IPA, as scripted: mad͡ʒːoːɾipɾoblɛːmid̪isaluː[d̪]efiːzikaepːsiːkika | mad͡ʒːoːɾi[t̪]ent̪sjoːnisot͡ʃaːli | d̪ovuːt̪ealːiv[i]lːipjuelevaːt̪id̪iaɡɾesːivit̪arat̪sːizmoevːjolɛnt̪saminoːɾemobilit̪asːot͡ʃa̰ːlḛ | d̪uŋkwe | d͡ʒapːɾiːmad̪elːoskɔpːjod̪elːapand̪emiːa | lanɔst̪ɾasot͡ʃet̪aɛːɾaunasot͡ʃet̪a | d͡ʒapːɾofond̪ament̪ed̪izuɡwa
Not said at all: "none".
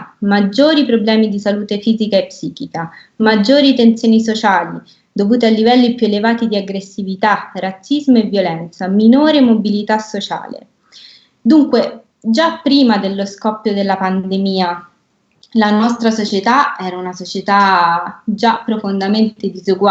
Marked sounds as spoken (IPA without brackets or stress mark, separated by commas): t̪, t̪, ɛ